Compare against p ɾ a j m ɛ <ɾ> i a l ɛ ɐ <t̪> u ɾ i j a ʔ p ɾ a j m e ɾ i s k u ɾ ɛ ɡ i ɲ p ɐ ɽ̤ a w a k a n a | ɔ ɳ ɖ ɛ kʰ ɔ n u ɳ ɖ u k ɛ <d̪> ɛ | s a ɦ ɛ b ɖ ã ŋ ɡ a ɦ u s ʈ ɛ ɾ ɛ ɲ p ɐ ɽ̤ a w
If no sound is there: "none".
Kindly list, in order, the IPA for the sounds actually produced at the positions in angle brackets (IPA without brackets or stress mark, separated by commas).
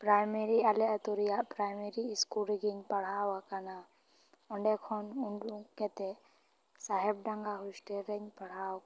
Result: ɾ, t̪, t̪